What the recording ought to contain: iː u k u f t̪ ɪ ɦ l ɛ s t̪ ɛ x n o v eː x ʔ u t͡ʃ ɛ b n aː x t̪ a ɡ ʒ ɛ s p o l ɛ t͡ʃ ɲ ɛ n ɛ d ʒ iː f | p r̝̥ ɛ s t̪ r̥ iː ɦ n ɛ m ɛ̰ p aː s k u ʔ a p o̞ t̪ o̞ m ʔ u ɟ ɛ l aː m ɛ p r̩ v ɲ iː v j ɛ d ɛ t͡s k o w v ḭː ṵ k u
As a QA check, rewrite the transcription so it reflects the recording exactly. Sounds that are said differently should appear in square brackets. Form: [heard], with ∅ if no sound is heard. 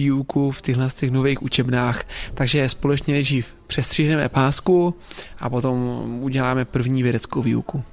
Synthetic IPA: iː u k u f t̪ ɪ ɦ l ɛ s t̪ ɛ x n o v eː x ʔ u t͡ʃ ɛ b n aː x t̪ a ɡ ʒ ɛ s p o l ɛ t͡ʃ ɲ ɛ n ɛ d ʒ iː f | p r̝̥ ɛ s t̪ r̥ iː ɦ n ɛ m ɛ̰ p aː s k u ʔ a p o̞ t̪ o̞ m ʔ u ɟ ɛ l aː m ɛ p r̩ v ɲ iː v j ɛ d ɛ t͡s k o w v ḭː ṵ k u